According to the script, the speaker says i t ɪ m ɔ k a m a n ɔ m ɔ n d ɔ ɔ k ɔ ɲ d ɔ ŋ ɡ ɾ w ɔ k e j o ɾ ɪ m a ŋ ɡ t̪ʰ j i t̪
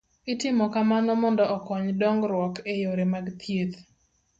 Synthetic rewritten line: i t ɪ m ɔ k a m a n ɔ m ɔ n d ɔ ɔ k ɔ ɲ d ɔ ŋ ɡ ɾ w ɔ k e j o ɾ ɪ m a ɡ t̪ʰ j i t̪